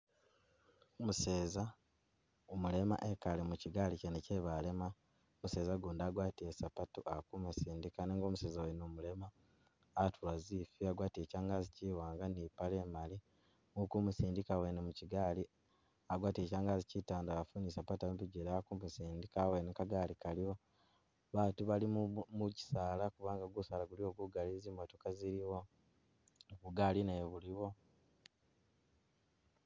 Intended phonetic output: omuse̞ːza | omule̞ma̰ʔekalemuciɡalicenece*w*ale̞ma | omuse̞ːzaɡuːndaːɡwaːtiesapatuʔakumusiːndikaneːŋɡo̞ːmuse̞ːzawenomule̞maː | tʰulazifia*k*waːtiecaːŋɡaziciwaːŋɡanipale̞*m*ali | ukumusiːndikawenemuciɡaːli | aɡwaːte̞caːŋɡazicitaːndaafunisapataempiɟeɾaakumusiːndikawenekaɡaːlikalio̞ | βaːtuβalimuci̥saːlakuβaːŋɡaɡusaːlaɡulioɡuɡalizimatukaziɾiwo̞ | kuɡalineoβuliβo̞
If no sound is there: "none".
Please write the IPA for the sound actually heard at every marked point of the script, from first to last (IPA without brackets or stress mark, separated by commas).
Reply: β, ɡ, m